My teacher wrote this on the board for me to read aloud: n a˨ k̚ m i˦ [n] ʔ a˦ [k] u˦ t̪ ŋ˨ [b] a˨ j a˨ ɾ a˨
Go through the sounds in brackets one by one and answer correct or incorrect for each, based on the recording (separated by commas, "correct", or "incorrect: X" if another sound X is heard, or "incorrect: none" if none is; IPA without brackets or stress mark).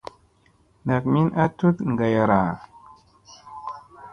correct, incorrect: t, incorrect: ɡ